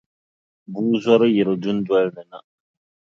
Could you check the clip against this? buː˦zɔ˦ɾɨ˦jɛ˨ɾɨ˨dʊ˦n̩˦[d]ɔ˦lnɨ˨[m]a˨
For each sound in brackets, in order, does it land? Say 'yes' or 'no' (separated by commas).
yes, no